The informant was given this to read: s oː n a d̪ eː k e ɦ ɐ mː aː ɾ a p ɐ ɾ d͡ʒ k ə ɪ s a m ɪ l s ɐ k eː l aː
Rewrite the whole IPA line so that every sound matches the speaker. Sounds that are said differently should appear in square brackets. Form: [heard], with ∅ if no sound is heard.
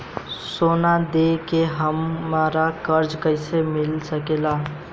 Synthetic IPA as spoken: s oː n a d̪ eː k e ɦ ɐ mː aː ɾ a [k] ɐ ɾ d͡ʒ k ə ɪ s [e] m ɪ l s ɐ k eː l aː

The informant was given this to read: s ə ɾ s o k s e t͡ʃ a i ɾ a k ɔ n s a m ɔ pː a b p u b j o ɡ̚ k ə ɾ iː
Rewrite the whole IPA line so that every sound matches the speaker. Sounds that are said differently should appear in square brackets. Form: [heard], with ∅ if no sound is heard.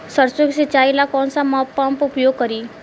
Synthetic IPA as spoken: s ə ɾ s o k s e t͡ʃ a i [l] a k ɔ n s a m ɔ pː a [m] p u [p] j o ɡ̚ k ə ɾ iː

